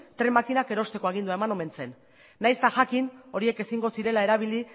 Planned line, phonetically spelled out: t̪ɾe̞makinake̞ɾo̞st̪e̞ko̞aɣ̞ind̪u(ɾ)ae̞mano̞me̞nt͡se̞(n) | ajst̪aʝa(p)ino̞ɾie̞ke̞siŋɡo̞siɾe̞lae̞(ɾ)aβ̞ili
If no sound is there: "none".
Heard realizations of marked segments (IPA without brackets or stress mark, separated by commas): none, nː, k, ɾ